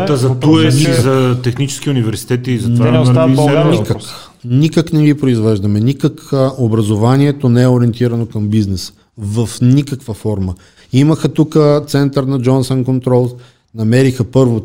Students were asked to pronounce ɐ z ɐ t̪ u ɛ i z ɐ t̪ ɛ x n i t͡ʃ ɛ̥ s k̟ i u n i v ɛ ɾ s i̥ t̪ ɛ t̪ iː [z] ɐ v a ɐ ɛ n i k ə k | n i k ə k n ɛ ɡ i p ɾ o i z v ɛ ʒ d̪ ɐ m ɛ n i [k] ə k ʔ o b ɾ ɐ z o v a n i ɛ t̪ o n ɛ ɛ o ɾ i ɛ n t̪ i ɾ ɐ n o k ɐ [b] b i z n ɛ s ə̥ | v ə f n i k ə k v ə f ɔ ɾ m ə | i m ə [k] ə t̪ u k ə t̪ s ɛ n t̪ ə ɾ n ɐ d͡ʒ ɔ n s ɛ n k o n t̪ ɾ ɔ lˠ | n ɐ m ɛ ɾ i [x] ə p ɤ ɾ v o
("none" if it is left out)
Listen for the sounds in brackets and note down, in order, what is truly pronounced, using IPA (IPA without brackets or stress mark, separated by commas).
z, k, m, x, x